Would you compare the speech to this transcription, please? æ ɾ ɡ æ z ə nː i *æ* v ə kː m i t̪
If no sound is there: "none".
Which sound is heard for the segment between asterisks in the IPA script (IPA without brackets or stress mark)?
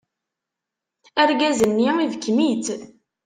i